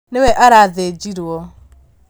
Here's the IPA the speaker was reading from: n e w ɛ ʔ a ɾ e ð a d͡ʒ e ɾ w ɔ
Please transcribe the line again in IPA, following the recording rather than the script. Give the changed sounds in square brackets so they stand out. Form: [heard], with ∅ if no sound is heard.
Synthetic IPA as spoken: n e w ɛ ʔ a ɾ [a] ð [e] d͡ʒ [i] ɾ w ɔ